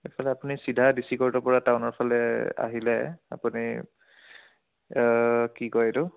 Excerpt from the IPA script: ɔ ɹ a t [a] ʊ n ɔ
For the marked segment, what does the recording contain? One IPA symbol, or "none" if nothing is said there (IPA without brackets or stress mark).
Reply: a